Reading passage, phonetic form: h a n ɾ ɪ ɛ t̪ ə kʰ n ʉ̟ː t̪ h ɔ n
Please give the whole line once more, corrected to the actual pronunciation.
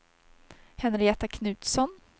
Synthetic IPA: h ɛ n ɾ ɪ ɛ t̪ a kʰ n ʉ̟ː t̪ s ɔ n

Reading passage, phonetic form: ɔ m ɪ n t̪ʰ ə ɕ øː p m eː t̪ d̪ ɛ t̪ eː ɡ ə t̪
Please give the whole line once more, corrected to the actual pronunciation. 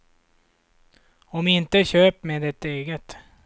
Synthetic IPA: ɔ m ɪ n t̪ ə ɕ øː p m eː d̪ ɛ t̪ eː ɡ ə t̪

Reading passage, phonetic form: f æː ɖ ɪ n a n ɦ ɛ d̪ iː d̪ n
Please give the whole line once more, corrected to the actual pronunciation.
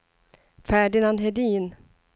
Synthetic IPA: f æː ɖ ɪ n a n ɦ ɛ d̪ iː n

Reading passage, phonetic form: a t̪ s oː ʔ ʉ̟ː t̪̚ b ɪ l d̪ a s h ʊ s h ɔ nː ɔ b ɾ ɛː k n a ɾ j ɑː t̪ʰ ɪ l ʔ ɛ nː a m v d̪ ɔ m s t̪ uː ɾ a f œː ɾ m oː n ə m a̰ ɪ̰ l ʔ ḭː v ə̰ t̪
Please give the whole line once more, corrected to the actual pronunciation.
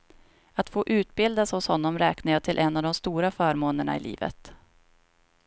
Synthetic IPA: a t̪ f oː ʔ ʉ̟ː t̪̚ b ɪ l d̪ a s h ʊ s h ɔ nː ɔ m ɾ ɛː k n a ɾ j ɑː t̪ʰ ɪ l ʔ ɛ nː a v d̪ ɔ m s t̪ uː ɾ a f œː ɾ m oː n ə ɳ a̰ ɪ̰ l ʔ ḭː v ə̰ t̪

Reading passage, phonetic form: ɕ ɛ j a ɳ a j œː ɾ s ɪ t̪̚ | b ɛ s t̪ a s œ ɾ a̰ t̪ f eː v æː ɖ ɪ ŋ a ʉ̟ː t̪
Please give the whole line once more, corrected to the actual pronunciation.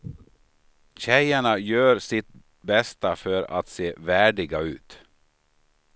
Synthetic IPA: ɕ ɛ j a ɳ a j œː ɾ s ɪ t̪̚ | b ɛ s t̪ a f œ ɾ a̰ t̪ s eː v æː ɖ ɪ ɡ a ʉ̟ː t̪

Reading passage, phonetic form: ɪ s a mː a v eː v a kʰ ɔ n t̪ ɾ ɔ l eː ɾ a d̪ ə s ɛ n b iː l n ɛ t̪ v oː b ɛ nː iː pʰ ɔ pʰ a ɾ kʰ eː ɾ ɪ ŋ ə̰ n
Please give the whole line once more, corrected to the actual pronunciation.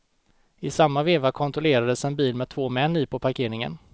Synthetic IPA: ɪ s a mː a v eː v a kʰ ɔ n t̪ ɾ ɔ l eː ɾ a d̪ ə s ɛ n b iː l m ɛ t̪ʰ v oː m ɛ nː iː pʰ ɔ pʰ a ɾ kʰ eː ɾ ɪ ŋ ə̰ n

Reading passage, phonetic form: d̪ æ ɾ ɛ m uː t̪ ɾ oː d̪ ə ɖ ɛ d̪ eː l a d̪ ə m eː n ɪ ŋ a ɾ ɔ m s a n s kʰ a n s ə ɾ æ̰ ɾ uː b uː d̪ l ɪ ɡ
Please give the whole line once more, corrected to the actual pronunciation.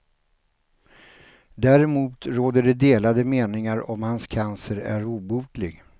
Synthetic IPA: d̪ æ ɾ ɛ m uː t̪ ɾ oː d̪ ə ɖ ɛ d̪ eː l a d̪ ə m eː n ɪ ŋ a ɾ ɔ m h a n s kʰ a n s ə ɾ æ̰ ɾ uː b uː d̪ l ɪ ɡ

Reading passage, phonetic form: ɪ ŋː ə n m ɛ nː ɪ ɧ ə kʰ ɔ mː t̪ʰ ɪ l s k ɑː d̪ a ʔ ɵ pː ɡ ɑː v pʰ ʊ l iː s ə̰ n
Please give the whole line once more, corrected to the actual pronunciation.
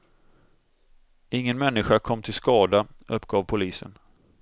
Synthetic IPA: ɪ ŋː ə n m ɛ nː ɪ ɧ a kʰ ɔ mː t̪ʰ ɪ l s k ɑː d̪ a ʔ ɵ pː ɡ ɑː v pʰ ʊ l iː s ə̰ n

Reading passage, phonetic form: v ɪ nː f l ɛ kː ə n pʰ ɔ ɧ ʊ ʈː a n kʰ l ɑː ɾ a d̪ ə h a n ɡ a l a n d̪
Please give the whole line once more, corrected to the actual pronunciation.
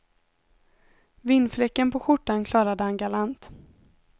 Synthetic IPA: v ɪ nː f l ɛ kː ə n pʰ ɔ ɧ ʊ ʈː a n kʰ l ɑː ɾ a d̪ ə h a n ɡ a l a n t̪

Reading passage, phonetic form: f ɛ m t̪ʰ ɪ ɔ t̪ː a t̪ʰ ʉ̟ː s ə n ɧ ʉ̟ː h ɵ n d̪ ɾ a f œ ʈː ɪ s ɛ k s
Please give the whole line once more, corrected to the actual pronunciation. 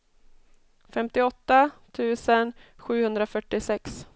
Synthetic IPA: f ɛ m t̪ ɪ ɔ t̪ː a t̪ʰ ʉ̟ː s ə n ɧ ʉ̟ː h ɵ n d̪ ɾ a f œ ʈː ɪ s ɛ k s

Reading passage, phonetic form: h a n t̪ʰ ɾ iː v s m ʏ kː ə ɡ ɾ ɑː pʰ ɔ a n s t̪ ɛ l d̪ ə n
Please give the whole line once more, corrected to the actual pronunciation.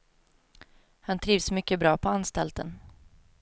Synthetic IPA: h a n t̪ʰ ɾ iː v s m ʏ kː ə b ɾ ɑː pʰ ɔ a n s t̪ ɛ l t̪ ə n

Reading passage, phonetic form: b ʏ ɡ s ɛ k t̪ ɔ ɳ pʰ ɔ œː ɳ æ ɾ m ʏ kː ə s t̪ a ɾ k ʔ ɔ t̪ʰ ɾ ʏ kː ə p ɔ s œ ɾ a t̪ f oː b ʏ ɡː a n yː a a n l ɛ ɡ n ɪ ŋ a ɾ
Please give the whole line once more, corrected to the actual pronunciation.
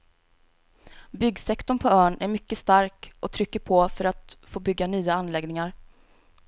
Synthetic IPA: b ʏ ɡ s ɛ k t̪ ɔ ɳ pʰ ɔ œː ɳ æ ɾ m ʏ kː ə s t̪ a ɾ k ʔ ɔ t̪ʰ ɾ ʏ kː ə pʰ ɔ f œ ɾ a t̪ f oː b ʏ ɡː a n yː a a n l ɛ ɡ n ɪ ŋ a ɾ

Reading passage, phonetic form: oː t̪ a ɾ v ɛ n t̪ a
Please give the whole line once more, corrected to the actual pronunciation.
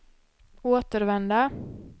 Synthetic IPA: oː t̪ ə ɾ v ɛ n d̪ a

